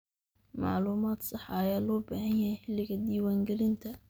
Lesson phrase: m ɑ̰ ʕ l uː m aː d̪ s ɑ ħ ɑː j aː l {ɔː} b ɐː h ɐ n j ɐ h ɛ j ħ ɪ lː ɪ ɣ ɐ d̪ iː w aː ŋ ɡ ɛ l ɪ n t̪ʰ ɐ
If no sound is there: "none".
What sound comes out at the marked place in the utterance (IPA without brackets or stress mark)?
ɔː